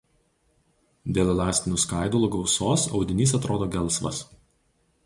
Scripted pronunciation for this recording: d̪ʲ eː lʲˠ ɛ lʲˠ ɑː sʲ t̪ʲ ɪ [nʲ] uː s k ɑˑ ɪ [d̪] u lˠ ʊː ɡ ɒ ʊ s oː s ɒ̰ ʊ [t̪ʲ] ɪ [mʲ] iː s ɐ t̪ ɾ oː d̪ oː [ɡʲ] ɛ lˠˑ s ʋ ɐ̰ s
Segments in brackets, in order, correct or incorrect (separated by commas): correct, correct, incorrect, incorrect, correct